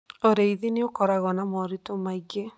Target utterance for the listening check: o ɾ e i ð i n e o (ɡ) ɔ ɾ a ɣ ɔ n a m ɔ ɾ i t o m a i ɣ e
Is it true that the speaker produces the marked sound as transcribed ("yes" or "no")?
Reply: no